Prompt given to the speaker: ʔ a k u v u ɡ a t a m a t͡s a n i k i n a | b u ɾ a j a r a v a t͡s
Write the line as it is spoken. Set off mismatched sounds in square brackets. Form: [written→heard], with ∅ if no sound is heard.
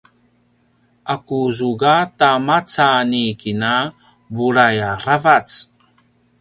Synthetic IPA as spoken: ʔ a k u [v→z] u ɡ a t a m a t͡s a n i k i n a | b u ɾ a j a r a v a t͡s